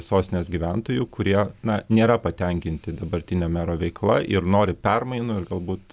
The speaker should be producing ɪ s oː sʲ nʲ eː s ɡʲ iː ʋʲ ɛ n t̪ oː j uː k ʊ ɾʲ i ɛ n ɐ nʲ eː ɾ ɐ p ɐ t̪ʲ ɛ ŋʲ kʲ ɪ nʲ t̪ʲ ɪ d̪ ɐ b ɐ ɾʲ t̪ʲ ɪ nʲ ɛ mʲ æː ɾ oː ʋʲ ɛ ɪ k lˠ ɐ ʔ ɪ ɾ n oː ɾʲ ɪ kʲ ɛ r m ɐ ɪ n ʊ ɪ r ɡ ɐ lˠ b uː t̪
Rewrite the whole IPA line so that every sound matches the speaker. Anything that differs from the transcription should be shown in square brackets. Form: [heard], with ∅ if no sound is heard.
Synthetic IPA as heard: ɪ s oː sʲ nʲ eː s ɡʲ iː ʋʲ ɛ n t̪ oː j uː k ʊ ɾʲ i ɛ n ɐ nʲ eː ɾ ɐ p ɐ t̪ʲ ɛ ŋʲ kʲ ɪ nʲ t̪ʲ ɪ d̪ ɐ b ɐ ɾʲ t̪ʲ ɪ nʲ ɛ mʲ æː ɾ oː ʋʲ ɛ ɪ k lˠ ɐ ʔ ɪ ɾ n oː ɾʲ ɪ [pʲ] ɛ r m ɐ ɪ n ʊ ɪ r ɡ ɐ lˠ b uː t̪